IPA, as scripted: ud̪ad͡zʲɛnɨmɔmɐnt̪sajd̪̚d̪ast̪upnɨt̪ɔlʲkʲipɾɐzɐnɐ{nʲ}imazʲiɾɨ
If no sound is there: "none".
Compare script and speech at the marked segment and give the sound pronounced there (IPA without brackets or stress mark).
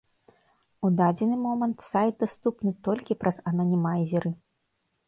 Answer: nʲ